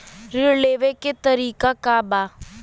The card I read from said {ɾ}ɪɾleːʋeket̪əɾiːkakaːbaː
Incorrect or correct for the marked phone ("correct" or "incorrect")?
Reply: correct